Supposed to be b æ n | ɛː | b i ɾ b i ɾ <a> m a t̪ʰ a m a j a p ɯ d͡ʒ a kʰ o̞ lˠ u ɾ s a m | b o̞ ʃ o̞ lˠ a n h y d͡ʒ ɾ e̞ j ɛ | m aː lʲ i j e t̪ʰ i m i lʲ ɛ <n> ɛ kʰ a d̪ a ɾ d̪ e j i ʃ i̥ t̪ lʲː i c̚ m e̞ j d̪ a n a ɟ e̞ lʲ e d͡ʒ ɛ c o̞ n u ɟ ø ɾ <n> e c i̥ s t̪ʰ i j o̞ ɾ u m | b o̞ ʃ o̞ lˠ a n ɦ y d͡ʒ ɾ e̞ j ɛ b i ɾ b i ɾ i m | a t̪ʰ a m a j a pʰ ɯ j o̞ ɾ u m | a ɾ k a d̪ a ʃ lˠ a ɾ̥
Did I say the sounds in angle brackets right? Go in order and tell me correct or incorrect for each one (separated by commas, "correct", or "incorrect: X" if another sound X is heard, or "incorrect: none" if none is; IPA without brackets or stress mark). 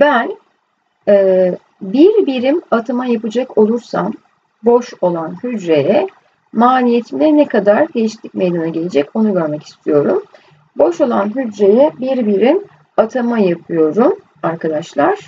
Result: incorrect: i, correct, incorrect: m